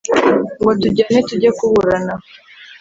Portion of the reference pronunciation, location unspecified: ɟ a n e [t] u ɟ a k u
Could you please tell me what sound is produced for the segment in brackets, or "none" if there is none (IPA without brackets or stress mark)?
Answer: t